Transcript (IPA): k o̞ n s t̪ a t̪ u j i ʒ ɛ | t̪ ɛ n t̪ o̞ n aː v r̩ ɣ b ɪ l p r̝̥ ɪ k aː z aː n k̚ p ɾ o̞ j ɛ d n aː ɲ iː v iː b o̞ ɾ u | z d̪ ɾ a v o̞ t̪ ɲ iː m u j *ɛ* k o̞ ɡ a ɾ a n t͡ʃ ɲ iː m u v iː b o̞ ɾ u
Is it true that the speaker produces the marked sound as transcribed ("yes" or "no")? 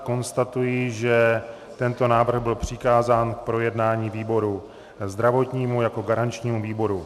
no